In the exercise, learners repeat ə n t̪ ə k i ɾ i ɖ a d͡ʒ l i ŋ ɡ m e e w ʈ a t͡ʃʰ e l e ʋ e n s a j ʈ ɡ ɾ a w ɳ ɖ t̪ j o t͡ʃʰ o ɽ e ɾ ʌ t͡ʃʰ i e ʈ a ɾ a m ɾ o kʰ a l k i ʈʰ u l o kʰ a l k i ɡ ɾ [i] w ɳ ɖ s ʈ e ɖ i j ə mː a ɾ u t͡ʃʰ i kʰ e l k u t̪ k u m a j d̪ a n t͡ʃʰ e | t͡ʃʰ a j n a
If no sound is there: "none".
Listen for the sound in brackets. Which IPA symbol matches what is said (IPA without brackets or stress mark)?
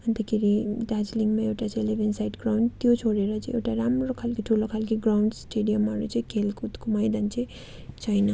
a